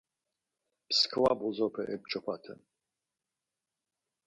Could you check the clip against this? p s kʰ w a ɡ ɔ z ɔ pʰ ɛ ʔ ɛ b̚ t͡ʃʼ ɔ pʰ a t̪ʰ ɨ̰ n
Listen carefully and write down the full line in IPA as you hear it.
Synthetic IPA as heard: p s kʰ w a b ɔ z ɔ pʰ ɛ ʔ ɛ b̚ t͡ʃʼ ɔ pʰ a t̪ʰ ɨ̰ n